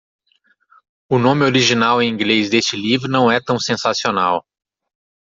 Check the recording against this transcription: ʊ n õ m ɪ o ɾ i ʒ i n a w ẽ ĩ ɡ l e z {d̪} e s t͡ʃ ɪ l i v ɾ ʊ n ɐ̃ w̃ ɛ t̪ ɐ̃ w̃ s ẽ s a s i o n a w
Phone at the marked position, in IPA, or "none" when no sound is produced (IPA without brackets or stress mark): d̪